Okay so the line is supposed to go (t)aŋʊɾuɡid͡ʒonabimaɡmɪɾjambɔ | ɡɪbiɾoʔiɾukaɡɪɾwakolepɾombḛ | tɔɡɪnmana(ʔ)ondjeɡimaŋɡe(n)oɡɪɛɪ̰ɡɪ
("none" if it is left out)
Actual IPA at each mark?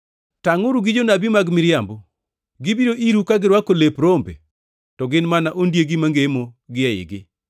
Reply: t, ʔ, m

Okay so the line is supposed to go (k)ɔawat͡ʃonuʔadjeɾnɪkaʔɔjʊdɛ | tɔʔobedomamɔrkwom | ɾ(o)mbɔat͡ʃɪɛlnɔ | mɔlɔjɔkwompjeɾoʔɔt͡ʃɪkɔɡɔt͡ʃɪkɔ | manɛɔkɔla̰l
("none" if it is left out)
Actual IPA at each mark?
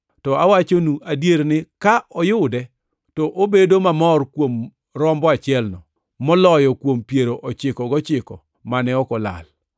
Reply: t, ɔ

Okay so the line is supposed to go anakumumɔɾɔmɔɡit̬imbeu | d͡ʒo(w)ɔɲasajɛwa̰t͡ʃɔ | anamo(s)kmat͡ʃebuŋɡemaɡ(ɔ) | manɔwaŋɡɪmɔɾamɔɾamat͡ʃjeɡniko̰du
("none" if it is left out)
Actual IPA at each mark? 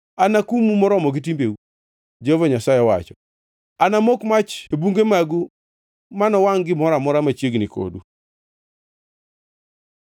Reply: v, none, u

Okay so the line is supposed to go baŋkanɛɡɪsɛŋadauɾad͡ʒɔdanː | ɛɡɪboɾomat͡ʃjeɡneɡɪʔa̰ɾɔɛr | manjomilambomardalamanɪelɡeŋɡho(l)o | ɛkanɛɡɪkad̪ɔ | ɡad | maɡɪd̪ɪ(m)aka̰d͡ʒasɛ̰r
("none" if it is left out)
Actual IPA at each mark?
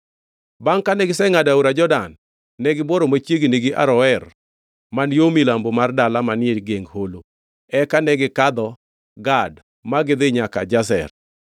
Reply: l, ɲ

